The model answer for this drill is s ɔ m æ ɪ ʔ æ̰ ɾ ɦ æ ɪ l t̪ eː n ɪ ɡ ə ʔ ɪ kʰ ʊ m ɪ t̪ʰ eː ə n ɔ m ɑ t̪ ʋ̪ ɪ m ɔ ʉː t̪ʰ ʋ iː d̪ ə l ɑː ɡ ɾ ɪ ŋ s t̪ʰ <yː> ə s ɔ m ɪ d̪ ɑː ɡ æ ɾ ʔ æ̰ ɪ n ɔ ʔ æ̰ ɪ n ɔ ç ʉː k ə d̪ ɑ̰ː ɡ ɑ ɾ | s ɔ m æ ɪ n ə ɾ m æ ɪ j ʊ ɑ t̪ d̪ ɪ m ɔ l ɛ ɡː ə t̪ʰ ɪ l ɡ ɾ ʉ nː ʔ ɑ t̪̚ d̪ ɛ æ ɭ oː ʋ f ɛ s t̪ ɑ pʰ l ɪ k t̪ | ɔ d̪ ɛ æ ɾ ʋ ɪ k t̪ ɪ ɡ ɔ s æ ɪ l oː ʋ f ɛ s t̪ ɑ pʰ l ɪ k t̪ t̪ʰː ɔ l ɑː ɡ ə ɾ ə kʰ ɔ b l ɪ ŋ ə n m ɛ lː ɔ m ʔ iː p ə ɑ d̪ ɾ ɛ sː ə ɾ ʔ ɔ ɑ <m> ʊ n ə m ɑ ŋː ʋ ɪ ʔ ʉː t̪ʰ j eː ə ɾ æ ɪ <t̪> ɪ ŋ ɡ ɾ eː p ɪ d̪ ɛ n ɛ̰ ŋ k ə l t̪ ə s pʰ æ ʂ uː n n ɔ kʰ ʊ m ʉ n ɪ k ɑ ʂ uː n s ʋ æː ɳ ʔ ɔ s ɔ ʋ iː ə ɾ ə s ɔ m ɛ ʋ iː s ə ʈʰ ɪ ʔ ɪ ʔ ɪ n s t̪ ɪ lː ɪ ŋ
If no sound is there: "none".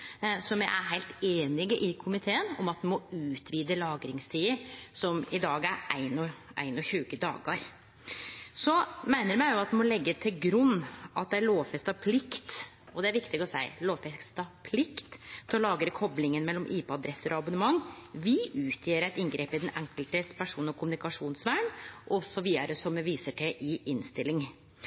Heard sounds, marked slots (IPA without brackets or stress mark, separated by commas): iː, b, t̪